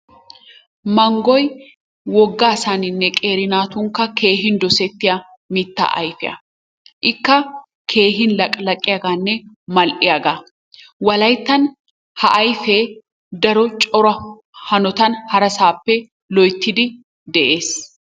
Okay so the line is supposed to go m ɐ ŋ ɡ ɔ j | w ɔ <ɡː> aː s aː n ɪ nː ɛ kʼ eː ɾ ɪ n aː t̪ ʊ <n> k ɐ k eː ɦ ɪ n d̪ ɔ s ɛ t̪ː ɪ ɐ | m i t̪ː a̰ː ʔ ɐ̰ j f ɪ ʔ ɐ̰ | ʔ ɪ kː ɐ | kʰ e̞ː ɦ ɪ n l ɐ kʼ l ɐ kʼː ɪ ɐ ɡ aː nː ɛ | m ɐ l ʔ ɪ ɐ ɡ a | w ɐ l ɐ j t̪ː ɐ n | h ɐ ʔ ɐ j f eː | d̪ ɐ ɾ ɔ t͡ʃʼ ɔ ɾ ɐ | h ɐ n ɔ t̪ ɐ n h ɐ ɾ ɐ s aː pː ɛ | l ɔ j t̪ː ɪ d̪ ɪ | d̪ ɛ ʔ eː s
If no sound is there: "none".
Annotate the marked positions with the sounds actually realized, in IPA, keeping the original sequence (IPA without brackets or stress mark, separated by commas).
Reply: ɡː, ŋ